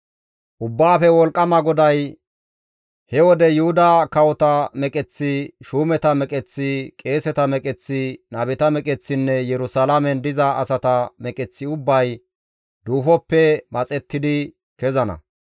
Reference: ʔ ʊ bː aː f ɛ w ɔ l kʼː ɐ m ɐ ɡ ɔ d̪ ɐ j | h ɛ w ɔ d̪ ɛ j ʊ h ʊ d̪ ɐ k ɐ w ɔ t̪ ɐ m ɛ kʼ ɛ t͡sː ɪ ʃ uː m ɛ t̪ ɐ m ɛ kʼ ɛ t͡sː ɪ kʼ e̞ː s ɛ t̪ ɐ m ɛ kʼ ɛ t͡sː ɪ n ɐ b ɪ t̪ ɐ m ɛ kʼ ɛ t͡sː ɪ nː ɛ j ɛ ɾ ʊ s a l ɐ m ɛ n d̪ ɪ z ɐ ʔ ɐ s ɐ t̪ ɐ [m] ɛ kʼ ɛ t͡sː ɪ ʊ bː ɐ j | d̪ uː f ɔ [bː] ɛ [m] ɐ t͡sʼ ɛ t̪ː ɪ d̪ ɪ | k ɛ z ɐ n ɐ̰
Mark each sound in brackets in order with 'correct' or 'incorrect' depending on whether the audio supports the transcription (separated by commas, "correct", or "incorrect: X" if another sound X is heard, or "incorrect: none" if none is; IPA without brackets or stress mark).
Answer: correct, incorrect: pː, correct